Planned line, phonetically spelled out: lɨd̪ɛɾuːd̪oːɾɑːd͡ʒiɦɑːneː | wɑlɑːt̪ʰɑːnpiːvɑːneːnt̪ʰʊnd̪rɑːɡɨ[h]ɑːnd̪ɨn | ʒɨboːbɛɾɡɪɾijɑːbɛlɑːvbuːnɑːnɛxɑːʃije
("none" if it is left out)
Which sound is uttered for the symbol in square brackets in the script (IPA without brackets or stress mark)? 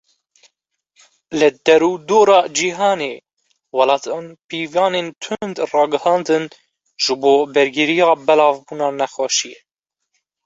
h